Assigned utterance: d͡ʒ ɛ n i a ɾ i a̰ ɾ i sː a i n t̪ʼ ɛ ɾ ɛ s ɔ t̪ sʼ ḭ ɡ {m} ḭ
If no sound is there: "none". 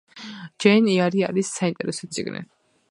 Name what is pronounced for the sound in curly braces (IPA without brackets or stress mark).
n